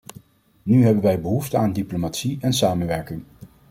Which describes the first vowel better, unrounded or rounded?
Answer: rounded